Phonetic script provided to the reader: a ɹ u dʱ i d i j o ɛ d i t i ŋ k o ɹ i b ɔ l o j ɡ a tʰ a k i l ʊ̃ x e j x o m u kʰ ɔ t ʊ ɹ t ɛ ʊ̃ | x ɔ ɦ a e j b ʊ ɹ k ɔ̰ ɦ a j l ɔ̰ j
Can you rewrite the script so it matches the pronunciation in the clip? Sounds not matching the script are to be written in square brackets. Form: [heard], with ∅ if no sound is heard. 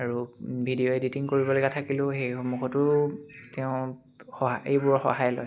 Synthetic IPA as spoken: a ɹ u [bʱ] i d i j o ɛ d i t i ŋ k o ɹ i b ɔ l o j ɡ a tʰ a k i l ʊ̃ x e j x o m u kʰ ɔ t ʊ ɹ t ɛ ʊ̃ | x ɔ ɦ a e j b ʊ ɹ [x] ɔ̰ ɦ a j l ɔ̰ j